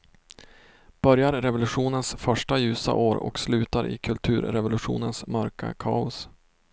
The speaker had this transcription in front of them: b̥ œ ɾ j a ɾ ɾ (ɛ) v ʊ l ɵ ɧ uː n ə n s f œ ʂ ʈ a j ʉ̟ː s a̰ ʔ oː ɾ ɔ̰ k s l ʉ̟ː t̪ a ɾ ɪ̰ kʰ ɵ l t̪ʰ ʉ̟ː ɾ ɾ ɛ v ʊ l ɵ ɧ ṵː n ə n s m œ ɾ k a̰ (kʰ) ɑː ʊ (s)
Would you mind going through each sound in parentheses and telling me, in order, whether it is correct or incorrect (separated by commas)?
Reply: correct, correct, correct